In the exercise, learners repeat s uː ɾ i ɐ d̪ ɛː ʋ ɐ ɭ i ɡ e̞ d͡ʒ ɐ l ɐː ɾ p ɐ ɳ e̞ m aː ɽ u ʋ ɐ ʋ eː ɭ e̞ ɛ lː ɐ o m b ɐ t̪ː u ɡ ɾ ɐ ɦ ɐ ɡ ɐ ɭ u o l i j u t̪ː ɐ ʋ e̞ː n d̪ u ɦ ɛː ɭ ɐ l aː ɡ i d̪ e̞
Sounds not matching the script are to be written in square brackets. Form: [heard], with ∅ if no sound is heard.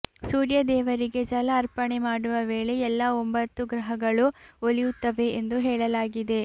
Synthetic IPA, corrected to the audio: s uː ɾ [j] ɐ d̪ ɛː ʋ ɐ [ɾ] i ɡ e̞ d͡ʒ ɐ l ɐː ɾ p ɐ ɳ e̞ m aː ɽ u ʋ ɐ ʋ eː ɭ e̞ ɛ lː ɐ o m b ɐ t̪ː u ɡ ɾ ɐ ɦ ɐ ɡ ɐ ɭ u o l i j u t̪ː ɐ ʋ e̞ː n d̪ u ɦ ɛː ɭ ɐ l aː ɡ i d̪ e̞